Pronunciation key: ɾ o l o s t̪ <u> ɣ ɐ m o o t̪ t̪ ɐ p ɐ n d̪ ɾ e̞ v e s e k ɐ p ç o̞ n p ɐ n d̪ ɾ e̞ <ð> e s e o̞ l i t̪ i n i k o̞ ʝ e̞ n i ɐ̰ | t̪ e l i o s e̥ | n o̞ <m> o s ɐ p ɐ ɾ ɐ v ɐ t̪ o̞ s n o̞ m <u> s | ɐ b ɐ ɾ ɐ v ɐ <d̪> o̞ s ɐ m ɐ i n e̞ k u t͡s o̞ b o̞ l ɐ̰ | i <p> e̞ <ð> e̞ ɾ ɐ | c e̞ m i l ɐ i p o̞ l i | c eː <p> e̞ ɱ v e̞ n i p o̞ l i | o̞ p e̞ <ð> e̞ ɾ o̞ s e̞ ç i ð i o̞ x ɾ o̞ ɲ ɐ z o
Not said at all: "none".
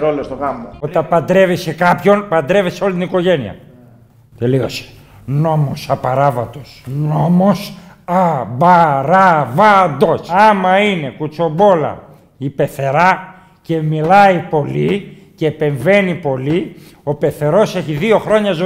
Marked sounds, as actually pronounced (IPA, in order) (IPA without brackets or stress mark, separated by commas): o, v, m, o, d̪, p, θ, p, θ